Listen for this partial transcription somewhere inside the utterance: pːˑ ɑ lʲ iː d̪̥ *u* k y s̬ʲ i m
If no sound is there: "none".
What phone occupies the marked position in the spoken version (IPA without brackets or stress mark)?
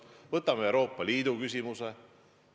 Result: u